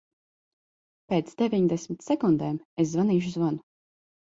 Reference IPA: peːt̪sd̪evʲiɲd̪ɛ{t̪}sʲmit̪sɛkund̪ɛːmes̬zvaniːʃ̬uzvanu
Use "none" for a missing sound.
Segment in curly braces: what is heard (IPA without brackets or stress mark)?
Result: none